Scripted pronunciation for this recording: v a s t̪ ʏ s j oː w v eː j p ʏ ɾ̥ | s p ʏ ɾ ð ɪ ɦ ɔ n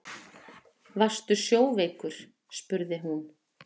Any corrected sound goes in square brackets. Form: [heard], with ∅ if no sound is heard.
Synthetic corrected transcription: v a s t̪ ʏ s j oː w v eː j [k] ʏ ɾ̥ | s p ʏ ɾ ð ɪ ɦ [u] n

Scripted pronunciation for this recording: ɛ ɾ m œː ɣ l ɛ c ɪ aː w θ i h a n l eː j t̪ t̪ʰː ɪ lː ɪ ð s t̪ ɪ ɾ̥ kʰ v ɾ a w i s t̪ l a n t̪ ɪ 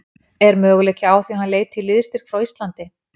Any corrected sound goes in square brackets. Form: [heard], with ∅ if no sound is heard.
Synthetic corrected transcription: ɛ ɾ m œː ɣ l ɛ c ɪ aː w θ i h a n l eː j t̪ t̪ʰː ɪ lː ɪ ð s t̪ ɪ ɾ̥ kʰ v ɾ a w i s t̪ l a n t̪ ɪ

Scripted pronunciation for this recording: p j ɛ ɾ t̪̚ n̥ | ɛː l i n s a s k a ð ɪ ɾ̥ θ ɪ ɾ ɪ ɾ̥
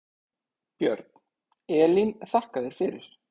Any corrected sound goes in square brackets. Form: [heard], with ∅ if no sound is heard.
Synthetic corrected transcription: p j [œ] ɾ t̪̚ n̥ | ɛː l i n [θ] a [h] k a ð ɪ ɾ̥ [f] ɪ ɾ ɪ ɾ̥

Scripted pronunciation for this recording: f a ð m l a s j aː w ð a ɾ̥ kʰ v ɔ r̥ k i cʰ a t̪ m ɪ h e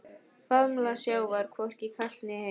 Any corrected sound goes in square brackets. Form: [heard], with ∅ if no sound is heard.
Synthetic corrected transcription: f a ð m l a s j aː w [v] a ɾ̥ kʰ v ɔ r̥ [c] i [kʰ] a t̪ [n] ɪ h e

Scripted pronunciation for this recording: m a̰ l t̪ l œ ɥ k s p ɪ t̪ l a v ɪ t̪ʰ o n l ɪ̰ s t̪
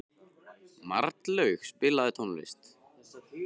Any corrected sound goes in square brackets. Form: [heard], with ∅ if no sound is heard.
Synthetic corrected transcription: m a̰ [ɾ] t̪ l œ ɥ [x] s p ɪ [∅] l a [ð] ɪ t̪ʰ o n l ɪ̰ s t̪

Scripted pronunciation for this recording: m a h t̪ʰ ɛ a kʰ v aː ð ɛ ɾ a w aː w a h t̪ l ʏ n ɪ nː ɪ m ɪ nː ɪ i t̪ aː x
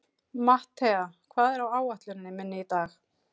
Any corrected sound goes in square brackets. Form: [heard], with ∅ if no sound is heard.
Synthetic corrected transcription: m a h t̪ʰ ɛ a kʰ v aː ð ɛ ɾ a w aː w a h t̪ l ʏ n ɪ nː ɪ m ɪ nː ɪ i t̪ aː x

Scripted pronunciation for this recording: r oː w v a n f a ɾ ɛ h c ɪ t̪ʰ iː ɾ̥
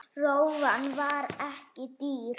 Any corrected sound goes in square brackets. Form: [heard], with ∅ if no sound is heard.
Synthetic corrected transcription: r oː w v a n [v] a ɾ ɛ h c ɪ [t̪] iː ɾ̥

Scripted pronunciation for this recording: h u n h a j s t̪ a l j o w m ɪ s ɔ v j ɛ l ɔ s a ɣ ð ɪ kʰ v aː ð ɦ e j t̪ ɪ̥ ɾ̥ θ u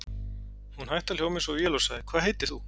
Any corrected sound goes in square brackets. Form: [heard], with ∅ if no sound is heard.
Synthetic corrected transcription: h u n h a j [h] t̪ a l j o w m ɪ s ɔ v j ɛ l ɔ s a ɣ ð ɪ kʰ v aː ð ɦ e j t̪ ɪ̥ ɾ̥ θ u

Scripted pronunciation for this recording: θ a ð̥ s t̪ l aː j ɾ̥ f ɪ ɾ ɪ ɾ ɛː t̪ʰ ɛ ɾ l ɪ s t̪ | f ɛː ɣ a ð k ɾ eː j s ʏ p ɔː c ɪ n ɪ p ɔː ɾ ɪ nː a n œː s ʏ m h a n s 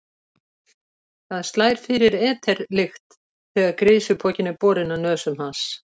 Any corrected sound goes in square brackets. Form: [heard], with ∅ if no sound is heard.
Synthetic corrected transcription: θ a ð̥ s t̪ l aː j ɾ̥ f ɪ ɾ ɪ ɾ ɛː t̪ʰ ɛ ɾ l ɪ [x] t̪ | [θ] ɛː ɣ a ð k ɾ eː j s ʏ [pʰ] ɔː c ɪ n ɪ p ɔː ɾ ɪ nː a n œː s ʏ m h a n s

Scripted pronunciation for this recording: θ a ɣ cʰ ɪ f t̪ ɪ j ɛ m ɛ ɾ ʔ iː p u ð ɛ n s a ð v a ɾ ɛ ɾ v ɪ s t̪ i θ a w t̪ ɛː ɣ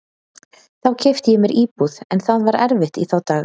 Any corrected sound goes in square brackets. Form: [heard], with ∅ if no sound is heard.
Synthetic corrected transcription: θ a [w] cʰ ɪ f t̪ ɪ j ɛ m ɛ ɾ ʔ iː p u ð ɛ n [θ] a ð v a ɾ ɛ ɾ v ɪ [h] t̪ i θ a w t̪ [aː] ɣ

